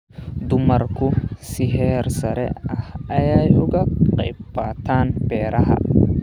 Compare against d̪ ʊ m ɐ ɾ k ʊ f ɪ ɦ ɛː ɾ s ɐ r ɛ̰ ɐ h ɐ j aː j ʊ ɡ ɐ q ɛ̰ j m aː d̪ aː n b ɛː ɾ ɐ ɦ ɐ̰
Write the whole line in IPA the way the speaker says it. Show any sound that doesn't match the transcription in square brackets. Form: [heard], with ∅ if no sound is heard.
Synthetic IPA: d̪ ʊ m ɐ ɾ k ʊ [s] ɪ ɦ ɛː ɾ s ɐ [ɾ] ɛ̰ ɐ h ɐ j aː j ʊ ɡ ɐ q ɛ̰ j [b] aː [t̪] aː n b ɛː ɾ ɐ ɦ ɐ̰